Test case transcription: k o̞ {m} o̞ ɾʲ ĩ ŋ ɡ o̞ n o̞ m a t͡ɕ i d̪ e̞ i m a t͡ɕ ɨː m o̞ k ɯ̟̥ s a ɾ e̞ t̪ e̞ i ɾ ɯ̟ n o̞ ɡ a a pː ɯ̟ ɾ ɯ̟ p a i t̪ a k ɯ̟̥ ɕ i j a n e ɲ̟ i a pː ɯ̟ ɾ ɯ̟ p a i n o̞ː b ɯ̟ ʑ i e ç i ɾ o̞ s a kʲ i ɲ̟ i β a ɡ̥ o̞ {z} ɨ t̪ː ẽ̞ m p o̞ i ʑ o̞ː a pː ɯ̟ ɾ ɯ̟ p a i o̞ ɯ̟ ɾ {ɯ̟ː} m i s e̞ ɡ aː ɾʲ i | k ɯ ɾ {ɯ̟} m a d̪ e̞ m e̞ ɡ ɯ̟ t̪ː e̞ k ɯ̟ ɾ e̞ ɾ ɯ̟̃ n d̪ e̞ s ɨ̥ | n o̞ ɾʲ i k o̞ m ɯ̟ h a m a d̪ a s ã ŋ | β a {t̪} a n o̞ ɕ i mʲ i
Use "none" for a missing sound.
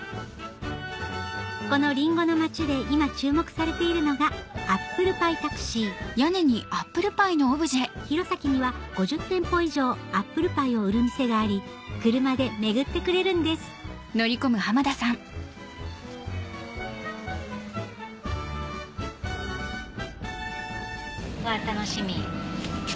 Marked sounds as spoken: n, ʑ, ɯ̟, ɯ̟, t̪

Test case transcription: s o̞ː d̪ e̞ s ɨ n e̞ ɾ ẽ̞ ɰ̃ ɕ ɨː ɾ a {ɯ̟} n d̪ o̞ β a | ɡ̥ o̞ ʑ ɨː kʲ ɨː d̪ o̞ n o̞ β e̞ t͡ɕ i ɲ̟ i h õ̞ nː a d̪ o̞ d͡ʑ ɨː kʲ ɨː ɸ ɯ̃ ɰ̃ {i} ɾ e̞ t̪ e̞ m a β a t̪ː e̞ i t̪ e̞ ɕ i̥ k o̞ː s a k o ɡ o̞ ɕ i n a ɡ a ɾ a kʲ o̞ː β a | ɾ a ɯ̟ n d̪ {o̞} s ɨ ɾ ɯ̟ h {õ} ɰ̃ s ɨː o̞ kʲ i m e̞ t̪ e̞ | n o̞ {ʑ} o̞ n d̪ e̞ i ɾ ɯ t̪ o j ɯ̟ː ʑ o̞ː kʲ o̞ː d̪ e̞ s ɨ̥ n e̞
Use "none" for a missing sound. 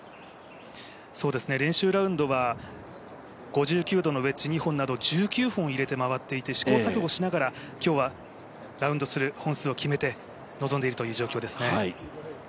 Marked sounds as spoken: ɯ̟̃, i, o̞, õ, z

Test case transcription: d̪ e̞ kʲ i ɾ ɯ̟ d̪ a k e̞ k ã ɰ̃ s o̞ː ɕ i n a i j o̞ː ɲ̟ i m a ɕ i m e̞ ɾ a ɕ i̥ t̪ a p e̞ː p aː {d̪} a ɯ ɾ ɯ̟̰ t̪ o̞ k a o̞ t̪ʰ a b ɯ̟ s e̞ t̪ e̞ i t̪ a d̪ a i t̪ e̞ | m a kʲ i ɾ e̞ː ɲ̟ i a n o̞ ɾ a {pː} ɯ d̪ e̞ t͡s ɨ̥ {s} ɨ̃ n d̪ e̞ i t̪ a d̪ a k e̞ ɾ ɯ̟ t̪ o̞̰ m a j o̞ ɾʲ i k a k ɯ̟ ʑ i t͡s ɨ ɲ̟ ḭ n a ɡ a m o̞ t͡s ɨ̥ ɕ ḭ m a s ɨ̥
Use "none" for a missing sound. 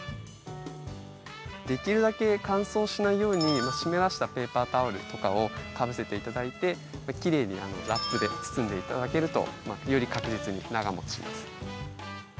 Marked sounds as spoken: t̪, pː, s

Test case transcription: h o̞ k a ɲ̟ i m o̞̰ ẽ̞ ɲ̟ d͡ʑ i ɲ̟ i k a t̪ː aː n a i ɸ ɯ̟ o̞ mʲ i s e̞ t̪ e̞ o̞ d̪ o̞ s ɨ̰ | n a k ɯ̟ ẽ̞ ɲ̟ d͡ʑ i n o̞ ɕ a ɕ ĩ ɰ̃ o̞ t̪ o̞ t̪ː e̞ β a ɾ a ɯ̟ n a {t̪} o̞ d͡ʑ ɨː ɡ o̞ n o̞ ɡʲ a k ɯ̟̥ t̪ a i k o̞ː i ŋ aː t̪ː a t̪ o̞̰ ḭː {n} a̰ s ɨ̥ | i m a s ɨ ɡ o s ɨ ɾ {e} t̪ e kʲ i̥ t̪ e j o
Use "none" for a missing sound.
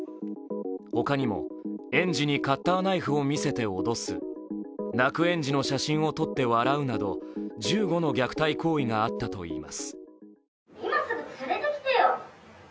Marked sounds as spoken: d̪, m, e

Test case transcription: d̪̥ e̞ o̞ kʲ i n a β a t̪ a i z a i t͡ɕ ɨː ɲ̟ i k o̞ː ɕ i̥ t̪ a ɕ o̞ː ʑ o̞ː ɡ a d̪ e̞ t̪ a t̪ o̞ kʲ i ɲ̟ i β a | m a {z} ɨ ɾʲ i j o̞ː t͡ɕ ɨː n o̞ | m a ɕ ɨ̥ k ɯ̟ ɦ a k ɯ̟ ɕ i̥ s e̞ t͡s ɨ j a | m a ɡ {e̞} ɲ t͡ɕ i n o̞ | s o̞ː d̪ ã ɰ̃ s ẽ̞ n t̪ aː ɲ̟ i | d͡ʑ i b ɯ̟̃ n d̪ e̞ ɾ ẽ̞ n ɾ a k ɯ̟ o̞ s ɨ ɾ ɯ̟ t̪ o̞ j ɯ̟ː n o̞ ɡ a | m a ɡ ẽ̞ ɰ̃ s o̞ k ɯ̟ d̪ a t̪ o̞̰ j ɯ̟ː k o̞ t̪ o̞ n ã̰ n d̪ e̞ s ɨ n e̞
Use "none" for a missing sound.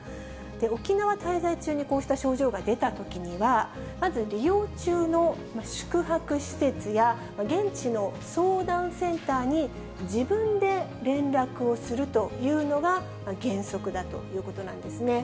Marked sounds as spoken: z, ẽ̞

